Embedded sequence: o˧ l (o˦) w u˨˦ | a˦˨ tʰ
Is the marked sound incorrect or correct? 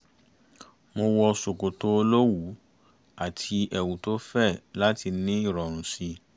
correct